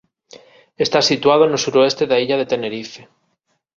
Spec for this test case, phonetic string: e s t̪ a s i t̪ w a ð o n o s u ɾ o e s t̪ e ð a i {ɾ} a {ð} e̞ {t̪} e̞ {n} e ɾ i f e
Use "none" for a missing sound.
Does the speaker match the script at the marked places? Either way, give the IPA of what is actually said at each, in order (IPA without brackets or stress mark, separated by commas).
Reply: ʎ, ð, t̪, n